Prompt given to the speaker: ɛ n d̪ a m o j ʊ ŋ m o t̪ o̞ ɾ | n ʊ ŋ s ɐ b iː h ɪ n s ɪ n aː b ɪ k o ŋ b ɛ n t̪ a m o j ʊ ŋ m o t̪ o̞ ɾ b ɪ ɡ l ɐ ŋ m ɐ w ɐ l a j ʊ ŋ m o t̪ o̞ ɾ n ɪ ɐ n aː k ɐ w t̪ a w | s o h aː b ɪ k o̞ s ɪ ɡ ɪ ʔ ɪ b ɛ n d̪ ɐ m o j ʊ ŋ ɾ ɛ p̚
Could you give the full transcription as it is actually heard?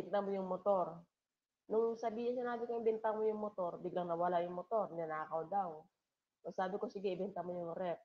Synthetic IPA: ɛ n t̪ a m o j ʊ ŋ m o t̪ o̞ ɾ | n ʊ ŋ s ɐ b iː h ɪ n s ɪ n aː b ɪ k o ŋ b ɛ n t̪ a m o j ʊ ŋ m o t̪ o̞ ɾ b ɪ ɡ l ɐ ŋ n ɐ w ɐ l a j ʊ ŋ m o t̪ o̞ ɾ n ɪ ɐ n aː k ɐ w d̪ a w | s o s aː b ɪ k o̞ s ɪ ɡ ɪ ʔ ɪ b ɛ n t̪ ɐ m o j ʊ ŋ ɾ ɛ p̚